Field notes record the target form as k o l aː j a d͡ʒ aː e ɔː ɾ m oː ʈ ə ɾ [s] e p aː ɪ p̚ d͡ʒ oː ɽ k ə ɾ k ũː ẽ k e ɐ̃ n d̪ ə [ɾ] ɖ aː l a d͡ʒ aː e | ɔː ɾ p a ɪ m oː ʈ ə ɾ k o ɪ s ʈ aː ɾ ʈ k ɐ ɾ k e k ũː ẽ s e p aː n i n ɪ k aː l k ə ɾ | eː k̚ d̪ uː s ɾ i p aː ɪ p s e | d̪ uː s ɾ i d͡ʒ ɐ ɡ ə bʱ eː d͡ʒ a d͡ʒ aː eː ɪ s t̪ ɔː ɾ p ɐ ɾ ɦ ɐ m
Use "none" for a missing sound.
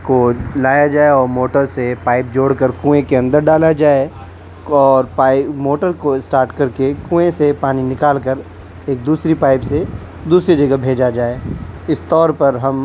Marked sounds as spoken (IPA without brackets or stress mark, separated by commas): s, ɾ